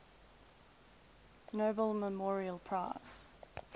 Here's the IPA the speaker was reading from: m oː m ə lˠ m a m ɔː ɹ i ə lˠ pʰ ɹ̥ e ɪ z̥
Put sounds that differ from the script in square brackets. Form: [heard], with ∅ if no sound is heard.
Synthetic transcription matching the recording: [n] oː [b] ə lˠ m [ə] m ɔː ɹ i ə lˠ pʰ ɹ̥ [a] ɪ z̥